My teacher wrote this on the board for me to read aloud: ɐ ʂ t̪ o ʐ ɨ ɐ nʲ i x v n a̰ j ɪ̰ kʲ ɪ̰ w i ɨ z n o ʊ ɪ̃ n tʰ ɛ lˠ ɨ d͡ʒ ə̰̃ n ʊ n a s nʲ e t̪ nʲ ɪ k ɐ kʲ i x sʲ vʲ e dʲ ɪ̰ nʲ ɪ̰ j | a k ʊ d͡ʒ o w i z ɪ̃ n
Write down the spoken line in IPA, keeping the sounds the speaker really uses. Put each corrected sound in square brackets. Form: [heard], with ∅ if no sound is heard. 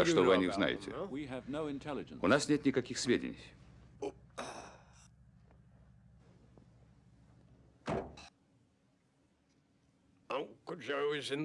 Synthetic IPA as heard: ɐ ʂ t̪ o [v] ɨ ɐ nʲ i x [z] n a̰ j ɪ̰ [tʲ] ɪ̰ w i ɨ [v] n o ʊ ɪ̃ n tʰ ɛ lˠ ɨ d͡ʒ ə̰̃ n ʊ n a s nʲ e t̪ nʲ ɪ k ɐ kʲ i x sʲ vʲ e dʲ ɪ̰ nʲ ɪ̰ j | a k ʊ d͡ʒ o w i z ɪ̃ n